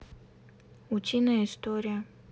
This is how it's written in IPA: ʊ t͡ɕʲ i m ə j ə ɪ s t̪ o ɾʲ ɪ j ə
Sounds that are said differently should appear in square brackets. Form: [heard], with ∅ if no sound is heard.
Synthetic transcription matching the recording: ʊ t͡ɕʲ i [n] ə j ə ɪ s t̪ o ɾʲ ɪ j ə